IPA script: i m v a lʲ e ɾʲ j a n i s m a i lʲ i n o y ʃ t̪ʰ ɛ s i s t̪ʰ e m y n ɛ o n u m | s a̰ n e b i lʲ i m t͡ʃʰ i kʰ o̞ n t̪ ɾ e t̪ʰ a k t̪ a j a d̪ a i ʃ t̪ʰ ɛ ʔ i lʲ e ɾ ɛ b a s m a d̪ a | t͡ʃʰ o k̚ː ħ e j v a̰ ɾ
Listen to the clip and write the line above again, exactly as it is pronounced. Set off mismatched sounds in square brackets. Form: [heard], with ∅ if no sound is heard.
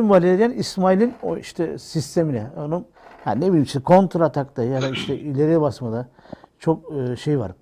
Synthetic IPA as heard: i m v a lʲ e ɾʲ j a n i s m a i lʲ i n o [i] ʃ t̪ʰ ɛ s i s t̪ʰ e m [i] n ɛ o n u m | [h] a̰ n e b i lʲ i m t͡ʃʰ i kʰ o̞ n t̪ ɾ [a] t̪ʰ a k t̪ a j a d̪ a i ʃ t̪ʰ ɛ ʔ i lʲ e ɾ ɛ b a s m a d̪ a | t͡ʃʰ o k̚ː [ʃ] e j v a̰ ɾ